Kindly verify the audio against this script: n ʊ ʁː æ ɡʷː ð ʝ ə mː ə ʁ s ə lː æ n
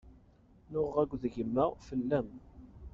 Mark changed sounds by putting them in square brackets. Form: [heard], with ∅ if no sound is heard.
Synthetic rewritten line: n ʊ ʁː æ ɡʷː ð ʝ ə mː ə ʁ [f] ə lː æ [m]